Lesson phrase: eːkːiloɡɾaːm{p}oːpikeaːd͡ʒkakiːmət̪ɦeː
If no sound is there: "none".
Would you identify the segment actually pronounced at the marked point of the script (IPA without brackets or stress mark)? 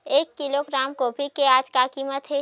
k